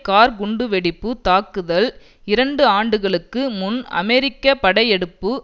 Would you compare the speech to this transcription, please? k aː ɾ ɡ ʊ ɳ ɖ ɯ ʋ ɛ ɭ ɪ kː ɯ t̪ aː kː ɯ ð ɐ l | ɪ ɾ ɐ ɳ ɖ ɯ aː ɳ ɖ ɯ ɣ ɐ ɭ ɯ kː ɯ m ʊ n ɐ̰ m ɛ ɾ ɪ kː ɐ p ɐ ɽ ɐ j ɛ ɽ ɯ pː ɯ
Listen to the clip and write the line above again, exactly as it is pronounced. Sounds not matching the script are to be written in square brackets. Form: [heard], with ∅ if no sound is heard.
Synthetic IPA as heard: k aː ɾ ɡ ʊ ɳ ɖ ɯ ʋ ɛ [ɽ] ɪ [pː] ɯ t̪ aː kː ɯ ð ɐ l | ɪ ɾ ɐ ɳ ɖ ɯ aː ɳ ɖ ɯ ɣ ɐ ɭ ɯ kː ɯ m ʊ n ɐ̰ m ɛ ɾ ɪ kː ɐ p ɐ ɽ ɐ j ɛ ɽ ɯ pː ɯ